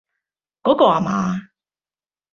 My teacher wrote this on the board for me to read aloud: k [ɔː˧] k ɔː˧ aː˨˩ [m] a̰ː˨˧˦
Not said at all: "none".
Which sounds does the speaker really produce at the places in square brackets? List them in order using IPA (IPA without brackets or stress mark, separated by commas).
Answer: ɔː˨˥, m